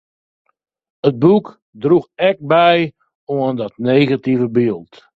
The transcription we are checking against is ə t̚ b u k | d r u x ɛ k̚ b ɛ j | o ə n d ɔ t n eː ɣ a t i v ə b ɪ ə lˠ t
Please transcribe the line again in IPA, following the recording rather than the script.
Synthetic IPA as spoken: ə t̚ b u k | d r u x ɛ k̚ b ɛ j | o ə n d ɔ t n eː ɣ a t i v ə b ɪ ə lˠ t